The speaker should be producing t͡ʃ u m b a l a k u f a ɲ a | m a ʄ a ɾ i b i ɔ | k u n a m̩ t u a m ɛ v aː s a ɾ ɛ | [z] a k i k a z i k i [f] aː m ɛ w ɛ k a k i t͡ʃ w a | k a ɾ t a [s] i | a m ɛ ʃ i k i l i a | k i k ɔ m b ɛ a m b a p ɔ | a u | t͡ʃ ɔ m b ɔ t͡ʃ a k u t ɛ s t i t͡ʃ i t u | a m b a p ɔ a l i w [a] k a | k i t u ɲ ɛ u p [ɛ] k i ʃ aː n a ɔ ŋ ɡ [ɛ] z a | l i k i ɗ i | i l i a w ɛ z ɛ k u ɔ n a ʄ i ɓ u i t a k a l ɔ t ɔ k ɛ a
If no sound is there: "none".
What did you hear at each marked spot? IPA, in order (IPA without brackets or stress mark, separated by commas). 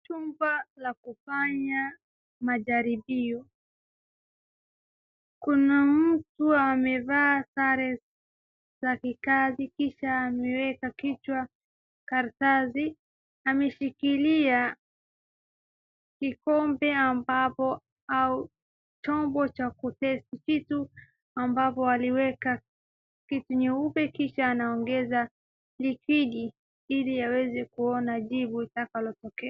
z, ʃ, z, ɛ, ɛ, ɛ